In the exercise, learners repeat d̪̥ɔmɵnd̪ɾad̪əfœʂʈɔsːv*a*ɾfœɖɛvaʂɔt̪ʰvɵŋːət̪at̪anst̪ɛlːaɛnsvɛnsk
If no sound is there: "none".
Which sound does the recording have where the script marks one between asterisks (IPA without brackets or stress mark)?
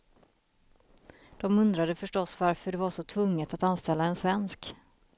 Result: a